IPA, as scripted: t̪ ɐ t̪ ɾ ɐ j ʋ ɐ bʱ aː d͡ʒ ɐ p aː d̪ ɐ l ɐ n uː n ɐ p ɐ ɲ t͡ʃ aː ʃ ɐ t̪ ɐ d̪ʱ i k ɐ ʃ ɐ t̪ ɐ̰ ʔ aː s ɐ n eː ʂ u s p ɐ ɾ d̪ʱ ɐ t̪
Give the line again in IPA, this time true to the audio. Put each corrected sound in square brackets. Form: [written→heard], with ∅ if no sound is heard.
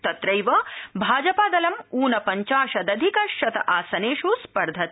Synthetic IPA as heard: t̪ ɐ t̪ ɾ ɐ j ʋ ɐ bʱ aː d͡ʒ ɐ p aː d̪ ɐ l ɐ [n→m] uː n ɐ p ɐ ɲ t͡ʃ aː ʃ ɐ [t̪→d̪] ɐ d̪ʱ i k ɐ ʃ ɐ t̪ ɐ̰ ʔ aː s ɐ n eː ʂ u s p ɐ ɾ d̪ʱ ɐ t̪